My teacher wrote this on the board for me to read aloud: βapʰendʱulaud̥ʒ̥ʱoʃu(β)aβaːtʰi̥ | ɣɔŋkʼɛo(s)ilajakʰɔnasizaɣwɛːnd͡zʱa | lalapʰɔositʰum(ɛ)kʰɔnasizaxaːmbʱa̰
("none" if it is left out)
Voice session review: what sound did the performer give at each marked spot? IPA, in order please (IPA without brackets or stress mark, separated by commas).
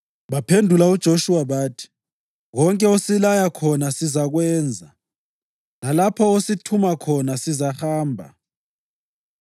w, s, a